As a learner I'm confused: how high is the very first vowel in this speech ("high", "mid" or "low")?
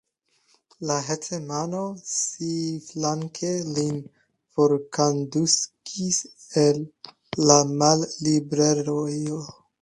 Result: low